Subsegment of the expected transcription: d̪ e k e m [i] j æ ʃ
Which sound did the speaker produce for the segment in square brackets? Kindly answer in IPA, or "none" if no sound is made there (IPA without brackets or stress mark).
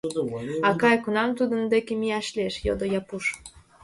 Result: i